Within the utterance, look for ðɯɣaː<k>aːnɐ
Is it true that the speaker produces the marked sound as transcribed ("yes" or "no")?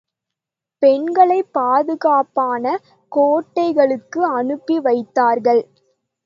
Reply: no